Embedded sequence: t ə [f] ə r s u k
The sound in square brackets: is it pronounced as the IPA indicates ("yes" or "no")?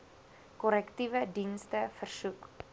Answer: yes